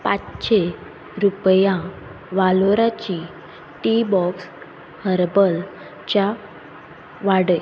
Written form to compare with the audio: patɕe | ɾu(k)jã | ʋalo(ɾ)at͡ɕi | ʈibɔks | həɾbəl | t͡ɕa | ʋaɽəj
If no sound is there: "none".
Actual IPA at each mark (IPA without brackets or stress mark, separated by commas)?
p, ɾ